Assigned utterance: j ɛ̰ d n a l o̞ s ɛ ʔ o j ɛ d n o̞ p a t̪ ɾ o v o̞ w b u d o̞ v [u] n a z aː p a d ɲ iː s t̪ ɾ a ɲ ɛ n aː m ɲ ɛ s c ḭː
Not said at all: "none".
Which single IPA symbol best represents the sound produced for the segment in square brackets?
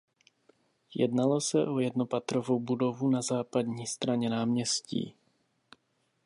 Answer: u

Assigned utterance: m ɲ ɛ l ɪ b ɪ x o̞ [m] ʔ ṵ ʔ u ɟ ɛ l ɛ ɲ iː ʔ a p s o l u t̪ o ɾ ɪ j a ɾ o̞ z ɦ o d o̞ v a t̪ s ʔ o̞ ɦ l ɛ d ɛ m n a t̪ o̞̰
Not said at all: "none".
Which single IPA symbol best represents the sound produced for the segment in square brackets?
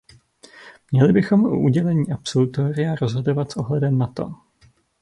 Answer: m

